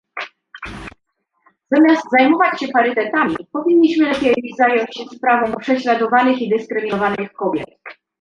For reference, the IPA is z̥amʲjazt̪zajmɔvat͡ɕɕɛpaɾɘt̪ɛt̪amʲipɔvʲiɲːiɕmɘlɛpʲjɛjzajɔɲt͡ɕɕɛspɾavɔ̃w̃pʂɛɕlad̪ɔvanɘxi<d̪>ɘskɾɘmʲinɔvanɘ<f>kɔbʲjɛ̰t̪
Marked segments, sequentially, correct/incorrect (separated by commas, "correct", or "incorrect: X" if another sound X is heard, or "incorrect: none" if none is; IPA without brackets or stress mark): correct, incorrect: x